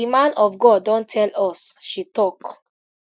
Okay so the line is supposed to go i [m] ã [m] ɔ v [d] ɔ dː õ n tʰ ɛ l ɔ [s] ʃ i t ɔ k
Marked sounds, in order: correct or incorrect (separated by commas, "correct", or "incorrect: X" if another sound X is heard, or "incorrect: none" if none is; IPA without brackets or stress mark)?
correct, incorrect: n, incorrect: ɡ, correct